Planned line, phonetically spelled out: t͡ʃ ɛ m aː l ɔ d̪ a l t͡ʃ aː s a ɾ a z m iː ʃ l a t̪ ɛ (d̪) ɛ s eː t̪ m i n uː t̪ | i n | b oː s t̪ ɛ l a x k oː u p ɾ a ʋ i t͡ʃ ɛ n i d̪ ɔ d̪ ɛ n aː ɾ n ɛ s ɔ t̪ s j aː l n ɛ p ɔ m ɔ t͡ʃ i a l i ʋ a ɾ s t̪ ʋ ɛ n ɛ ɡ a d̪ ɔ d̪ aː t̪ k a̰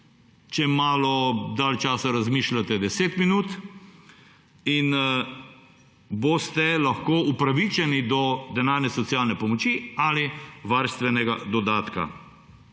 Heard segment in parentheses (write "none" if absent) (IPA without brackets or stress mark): d̪